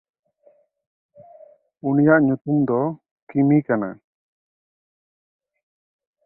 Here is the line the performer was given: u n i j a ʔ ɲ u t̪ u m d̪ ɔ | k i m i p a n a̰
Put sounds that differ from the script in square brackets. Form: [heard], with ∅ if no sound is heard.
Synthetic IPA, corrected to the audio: u n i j a ʔ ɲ u t̪ u m d̪ ɔ | k i m i [k] a n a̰